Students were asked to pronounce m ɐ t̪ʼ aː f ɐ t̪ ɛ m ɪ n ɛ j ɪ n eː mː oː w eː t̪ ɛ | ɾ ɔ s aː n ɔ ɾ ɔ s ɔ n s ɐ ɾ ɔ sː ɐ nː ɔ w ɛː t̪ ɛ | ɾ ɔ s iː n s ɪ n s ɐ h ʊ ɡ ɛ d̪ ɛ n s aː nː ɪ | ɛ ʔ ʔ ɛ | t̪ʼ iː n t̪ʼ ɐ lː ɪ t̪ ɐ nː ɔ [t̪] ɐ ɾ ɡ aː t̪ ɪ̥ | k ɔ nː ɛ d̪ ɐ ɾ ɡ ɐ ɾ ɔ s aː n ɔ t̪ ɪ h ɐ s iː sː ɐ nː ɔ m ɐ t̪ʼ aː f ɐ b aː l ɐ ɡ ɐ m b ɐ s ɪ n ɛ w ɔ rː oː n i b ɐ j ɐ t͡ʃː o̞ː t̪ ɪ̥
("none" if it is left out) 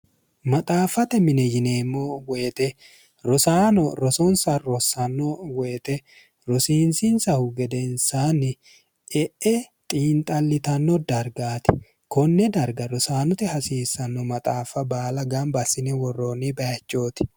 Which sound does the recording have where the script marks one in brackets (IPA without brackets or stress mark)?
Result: d̪